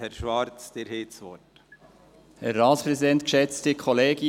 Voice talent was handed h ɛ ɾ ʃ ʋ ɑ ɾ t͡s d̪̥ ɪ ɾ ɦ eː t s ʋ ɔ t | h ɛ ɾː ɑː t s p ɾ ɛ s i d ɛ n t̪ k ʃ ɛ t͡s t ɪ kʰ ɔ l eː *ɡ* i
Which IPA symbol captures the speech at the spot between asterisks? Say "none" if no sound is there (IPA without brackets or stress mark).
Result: ɡ